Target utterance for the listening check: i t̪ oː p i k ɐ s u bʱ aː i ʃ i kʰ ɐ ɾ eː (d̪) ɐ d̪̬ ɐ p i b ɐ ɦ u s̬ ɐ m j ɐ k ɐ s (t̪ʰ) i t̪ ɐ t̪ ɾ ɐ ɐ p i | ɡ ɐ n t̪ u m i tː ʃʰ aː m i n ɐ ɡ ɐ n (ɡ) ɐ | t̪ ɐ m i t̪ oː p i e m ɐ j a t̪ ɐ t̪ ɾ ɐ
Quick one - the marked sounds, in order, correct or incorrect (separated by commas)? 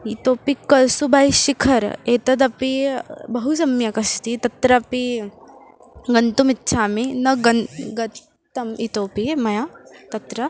incorrect, incorrect, correct